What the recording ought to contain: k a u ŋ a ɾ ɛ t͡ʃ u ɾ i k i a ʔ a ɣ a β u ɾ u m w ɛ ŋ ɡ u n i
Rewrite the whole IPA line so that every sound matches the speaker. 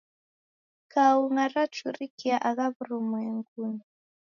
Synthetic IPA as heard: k a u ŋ a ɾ a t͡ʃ u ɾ i k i a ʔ a ɣ a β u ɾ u m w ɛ ŋ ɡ u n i